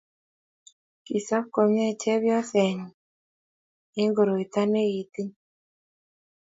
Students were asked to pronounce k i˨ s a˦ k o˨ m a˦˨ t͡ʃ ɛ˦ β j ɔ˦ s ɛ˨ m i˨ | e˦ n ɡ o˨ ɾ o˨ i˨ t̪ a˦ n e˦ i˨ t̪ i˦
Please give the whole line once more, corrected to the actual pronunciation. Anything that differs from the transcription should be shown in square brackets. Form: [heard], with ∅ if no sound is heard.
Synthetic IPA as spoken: k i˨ s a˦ k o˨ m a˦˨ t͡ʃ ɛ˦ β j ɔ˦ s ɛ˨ [ɲ] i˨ | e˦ [ŋ] ɡ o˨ ɾ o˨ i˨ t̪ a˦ n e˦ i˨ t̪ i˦